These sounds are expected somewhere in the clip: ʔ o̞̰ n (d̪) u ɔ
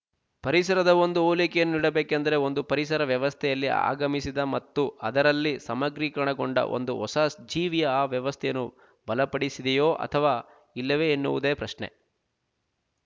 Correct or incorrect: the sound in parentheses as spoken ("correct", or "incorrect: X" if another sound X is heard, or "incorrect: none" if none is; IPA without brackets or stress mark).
correct